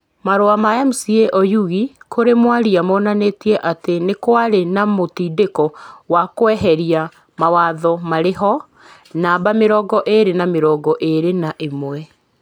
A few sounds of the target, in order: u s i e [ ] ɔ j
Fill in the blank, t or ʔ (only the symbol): ʔ